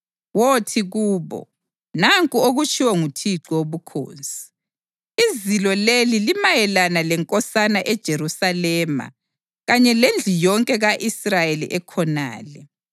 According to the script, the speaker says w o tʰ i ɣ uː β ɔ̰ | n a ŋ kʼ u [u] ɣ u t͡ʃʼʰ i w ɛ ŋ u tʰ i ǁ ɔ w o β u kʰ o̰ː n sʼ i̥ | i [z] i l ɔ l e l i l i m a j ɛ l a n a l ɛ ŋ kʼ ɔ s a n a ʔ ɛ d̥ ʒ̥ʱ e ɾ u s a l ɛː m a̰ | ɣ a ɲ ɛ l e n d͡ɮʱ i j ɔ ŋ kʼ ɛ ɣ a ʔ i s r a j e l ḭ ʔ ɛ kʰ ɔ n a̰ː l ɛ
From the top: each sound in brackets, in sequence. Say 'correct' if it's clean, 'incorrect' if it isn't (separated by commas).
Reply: incorrect, correct